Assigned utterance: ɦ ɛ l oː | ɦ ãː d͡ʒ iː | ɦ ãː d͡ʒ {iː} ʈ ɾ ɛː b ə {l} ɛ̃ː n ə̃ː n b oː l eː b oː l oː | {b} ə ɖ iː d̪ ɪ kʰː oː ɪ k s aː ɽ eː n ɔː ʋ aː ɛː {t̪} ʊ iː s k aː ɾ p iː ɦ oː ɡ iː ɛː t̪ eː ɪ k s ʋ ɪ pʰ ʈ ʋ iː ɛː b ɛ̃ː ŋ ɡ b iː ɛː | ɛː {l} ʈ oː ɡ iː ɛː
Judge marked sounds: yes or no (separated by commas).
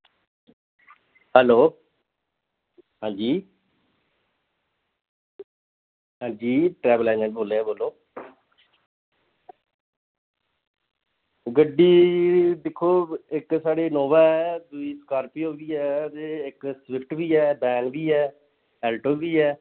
yes, yes, no, no, yes